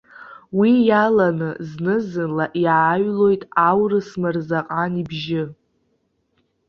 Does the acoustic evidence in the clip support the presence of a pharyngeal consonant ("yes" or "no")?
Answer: no